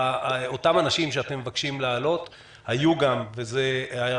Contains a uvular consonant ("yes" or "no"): no